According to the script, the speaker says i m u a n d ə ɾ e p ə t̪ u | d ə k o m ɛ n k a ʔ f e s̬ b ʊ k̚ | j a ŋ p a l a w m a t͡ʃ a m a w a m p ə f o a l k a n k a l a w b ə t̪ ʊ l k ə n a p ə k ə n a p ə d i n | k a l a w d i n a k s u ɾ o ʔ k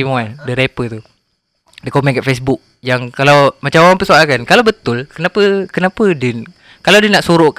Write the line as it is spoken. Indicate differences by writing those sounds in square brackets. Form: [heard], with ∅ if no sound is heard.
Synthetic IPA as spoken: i m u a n d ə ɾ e p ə t̪ u | d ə k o m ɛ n k a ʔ f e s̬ b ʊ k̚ | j a ŋ [k] a l a w m a t͡ʃ a m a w a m p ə [s] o a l k a n k a l a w b ə t̪ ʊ l k ə n a p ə k ə n a p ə d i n | k a l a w d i n a [ʔ] s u ɾ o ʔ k